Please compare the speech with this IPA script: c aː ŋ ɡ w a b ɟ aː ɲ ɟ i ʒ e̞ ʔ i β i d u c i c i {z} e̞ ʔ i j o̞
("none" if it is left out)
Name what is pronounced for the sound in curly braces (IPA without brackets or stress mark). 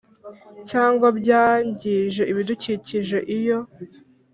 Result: ʒ